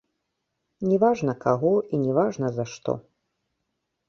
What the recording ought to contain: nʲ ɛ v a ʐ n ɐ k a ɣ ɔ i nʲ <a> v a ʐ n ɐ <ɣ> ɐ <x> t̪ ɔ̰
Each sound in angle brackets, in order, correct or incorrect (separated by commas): incorrect, incorrect, incorrect